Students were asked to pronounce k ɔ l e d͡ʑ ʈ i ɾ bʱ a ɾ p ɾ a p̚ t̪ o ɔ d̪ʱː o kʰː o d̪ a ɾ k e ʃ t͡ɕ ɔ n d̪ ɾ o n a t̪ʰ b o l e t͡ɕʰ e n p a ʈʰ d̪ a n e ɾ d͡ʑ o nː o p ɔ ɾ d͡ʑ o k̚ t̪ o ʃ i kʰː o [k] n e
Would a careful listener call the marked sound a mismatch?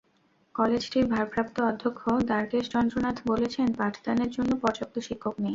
no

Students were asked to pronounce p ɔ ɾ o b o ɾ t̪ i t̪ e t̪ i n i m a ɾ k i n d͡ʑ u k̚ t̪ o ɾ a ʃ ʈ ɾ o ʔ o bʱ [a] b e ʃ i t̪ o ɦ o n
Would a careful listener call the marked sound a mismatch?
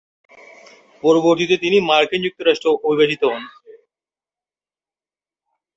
yes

